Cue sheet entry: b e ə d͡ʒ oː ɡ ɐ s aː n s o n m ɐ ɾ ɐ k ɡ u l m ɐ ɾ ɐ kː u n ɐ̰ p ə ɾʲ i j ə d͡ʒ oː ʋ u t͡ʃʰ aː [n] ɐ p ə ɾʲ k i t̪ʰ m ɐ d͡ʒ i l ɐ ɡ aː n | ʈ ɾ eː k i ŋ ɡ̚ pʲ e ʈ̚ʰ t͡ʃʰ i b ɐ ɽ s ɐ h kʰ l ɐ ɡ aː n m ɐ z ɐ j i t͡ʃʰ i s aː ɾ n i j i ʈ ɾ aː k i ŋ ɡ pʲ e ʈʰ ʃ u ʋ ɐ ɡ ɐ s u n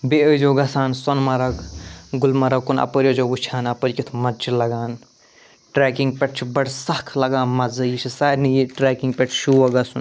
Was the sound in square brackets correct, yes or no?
yes